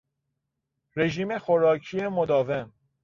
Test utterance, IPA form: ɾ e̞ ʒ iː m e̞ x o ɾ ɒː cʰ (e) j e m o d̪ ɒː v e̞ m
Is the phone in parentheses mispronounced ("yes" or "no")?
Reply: yes